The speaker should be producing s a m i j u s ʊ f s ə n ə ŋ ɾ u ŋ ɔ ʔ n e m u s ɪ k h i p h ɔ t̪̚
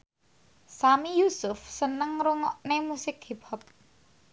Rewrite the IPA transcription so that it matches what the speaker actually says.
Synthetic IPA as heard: s a m i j u s ʊ f s ə n ə ŋ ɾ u ŋ ɔ ʔ n e m u s ɪ k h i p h ɔ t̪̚